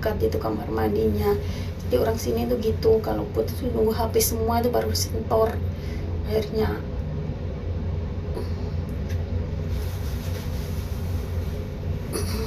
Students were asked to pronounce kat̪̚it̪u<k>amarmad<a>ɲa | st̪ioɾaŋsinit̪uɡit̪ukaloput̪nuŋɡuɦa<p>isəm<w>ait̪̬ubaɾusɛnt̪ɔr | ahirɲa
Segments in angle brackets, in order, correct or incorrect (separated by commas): correct, incorrect, correct, incorrect